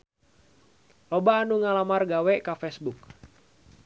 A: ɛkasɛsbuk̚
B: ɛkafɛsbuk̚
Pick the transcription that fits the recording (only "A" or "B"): B